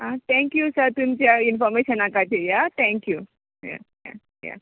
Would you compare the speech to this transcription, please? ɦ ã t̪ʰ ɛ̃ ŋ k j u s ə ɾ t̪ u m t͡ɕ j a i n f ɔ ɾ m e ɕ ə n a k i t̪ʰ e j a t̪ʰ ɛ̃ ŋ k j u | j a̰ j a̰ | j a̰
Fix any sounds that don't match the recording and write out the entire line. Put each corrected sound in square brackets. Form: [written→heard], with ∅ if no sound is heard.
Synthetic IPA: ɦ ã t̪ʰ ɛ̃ ŋ k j u s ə ɾ t̪ u m t͡ɕ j a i n f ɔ ɾ m e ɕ ə n a k [i→a] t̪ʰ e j a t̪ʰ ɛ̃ ŋ k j u | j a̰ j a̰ | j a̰